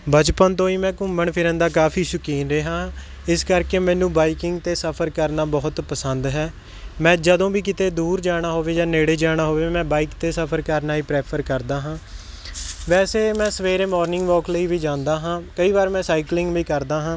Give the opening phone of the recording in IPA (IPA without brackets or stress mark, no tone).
b